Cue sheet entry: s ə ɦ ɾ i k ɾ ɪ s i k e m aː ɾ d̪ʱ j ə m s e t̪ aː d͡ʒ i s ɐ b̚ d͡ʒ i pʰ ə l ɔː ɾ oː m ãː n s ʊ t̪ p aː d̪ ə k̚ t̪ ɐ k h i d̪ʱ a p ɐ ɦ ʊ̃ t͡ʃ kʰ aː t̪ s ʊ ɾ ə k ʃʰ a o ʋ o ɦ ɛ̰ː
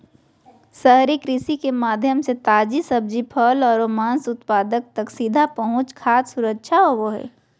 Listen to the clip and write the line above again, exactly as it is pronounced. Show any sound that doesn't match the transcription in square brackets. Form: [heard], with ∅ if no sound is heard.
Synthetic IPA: s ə ɦ ɾ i k ɾ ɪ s i k e m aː [∅] d̪ʱ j ə m s e t̪ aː d͡ʒ i s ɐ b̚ d͡ʒ i pʰ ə l ɔː ɾ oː m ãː n s ʊ t̪ p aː d̪ ə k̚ t̪ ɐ k [s] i d̪ʱ a p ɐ ɦ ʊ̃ t͡ʃ kʰ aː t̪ s ʊ ɾ ə k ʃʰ a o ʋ o ɦ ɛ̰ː